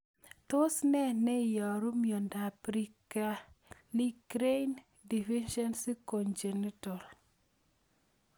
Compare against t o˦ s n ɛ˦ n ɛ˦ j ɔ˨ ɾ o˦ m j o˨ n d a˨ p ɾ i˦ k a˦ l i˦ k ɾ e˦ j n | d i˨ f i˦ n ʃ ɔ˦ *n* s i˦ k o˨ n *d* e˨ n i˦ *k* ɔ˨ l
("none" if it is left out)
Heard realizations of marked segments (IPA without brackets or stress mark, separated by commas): n, d͡ʒ, t